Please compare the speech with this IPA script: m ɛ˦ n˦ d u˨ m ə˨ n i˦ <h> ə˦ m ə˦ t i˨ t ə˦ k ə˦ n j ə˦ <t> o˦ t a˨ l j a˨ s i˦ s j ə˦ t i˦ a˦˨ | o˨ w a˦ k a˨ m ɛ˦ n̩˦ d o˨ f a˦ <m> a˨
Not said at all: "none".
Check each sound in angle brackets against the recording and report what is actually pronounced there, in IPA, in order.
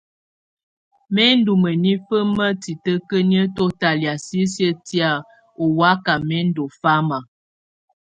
f, t, m

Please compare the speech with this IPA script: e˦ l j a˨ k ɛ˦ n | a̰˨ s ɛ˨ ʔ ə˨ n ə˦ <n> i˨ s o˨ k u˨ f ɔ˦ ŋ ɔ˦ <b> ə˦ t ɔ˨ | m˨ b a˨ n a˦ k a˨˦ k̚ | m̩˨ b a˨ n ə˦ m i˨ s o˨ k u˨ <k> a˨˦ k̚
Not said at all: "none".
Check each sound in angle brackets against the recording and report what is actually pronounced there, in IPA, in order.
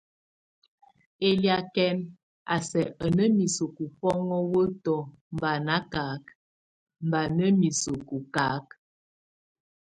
m, w, k

